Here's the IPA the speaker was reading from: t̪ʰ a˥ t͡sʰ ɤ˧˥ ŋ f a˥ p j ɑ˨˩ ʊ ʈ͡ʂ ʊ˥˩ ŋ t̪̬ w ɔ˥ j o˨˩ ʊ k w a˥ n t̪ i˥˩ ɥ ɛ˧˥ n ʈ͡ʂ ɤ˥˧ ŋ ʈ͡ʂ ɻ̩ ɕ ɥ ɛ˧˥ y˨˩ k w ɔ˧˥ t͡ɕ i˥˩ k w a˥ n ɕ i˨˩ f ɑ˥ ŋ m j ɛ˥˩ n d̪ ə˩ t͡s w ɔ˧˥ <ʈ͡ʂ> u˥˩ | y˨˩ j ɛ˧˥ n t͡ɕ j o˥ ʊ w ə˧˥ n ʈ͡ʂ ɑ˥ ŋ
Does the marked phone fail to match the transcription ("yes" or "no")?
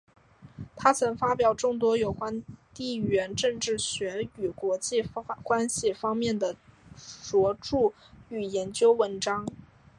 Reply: no